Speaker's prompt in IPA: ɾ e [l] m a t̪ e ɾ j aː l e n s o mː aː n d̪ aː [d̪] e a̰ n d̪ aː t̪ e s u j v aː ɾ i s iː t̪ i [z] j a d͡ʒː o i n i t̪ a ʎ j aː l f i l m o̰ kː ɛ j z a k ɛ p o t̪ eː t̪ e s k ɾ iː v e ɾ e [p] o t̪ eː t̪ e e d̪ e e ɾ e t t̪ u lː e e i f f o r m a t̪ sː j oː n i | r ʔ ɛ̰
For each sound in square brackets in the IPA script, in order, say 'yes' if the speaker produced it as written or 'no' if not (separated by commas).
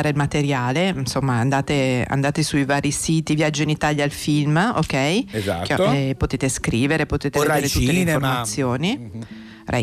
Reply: yes, no, no, yes